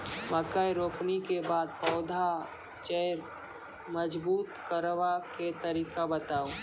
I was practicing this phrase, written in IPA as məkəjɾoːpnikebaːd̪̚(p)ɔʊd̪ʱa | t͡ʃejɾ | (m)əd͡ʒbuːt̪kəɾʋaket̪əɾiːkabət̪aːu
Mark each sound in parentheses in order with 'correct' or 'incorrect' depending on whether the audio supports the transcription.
correct, correct

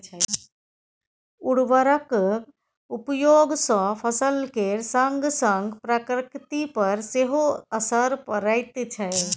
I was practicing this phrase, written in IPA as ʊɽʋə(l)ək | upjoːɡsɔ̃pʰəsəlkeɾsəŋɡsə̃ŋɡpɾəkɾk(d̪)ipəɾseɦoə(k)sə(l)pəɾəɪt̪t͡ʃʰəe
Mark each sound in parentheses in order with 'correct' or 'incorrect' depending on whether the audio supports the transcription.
incorrect: ɾ, incorrect: t̪, incorrect: none, incorrect: ɾ

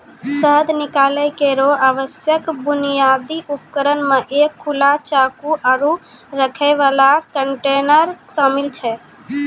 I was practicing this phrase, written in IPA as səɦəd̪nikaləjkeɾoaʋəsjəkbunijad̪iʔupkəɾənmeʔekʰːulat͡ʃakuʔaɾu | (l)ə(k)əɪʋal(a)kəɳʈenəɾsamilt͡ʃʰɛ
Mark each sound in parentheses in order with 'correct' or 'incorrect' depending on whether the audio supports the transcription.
incorrect: ɾ, incorrect: kʰ, correct

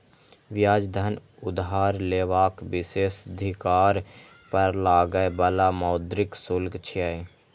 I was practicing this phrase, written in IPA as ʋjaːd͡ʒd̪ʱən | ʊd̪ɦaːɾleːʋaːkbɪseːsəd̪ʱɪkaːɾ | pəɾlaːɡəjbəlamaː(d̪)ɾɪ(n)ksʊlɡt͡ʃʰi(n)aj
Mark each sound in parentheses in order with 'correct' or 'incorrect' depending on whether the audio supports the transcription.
correct, incorrect: none, incorrect: none

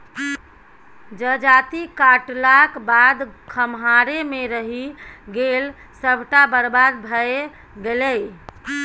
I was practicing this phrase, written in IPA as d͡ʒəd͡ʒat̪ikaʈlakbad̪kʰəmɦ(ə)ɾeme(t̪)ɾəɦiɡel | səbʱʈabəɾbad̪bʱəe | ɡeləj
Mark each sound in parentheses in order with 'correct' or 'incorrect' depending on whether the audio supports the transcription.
incorrect: a, incorrect: none

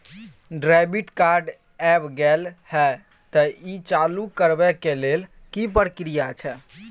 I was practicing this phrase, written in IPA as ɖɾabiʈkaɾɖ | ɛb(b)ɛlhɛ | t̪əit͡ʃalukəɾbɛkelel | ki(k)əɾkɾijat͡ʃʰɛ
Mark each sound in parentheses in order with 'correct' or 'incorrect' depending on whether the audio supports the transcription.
incorrect: ɡ, incorrect: p

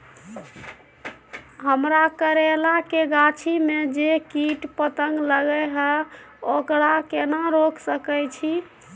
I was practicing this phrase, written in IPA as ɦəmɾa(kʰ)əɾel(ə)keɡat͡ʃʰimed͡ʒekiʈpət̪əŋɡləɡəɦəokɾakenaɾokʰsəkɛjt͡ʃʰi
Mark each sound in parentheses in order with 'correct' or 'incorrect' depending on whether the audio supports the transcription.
incorrect: k, incorrect: a

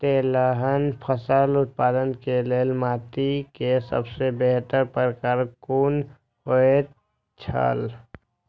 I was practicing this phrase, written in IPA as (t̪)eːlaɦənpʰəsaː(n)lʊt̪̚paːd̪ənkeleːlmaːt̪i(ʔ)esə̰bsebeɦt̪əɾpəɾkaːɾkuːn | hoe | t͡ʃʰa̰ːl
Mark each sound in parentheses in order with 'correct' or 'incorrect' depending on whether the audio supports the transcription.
correct, incorrect: none, incorrect: k

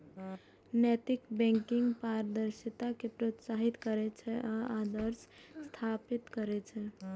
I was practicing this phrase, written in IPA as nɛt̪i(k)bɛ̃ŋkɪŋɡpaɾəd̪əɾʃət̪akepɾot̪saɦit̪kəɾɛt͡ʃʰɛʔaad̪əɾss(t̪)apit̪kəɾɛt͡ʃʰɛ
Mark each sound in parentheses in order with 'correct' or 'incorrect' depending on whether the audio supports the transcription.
correct, incorrect: t̪ʰ

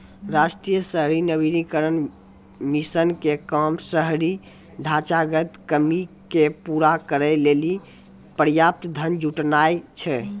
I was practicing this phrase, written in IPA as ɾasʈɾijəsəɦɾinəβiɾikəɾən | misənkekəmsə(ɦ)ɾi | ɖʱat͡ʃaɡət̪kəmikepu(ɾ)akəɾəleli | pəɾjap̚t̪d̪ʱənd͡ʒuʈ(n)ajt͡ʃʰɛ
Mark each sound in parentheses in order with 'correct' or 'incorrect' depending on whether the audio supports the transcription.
correct, correct, correct

